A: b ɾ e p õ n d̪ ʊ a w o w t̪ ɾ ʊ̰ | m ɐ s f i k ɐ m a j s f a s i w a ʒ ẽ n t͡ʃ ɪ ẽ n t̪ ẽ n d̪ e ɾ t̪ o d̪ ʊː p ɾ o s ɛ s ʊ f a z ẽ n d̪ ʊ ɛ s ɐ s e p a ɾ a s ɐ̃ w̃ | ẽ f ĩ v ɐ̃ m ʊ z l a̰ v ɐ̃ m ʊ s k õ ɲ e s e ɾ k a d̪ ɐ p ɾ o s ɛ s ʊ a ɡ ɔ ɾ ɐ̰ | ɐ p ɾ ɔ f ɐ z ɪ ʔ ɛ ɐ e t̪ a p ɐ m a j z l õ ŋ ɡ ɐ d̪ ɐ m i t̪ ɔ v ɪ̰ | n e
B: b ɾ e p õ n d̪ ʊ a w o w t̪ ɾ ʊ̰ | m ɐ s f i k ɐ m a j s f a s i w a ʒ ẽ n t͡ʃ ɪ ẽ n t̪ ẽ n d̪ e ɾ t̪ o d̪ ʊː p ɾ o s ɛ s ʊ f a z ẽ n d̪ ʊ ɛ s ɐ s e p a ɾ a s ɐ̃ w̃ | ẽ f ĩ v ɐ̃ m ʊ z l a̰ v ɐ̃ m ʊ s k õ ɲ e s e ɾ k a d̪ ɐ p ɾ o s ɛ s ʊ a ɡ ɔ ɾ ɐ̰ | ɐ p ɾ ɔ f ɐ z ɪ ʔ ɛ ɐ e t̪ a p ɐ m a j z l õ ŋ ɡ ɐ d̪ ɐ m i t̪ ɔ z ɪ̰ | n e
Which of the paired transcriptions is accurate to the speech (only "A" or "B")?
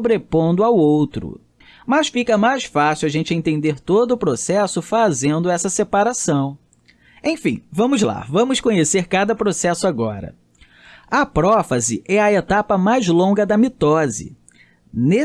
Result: B